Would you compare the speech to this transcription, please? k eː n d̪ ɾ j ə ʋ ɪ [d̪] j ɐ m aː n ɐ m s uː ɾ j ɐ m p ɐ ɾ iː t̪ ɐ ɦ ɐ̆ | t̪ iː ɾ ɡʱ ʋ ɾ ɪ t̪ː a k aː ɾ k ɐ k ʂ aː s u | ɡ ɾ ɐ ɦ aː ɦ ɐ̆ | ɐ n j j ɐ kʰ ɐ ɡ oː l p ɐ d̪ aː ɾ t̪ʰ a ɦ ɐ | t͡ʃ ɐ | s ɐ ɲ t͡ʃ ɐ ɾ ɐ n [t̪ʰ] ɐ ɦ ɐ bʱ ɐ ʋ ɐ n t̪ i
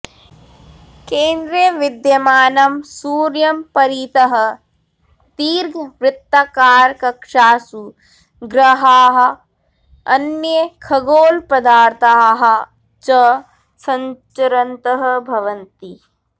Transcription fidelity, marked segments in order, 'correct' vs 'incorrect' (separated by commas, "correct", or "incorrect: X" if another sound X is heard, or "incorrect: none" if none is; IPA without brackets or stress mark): correct, incorrect: t̪